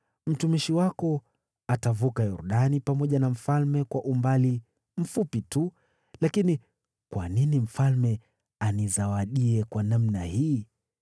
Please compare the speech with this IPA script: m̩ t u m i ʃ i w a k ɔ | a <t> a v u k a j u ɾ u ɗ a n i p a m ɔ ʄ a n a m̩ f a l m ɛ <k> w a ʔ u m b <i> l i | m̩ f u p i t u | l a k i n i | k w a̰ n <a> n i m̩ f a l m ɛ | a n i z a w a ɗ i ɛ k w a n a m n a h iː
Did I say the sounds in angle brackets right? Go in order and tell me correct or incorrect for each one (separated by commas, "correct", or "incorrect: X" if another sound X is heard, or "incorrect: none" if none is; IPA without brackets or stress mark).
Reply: correct, correct, incorrect: a, incorrect: i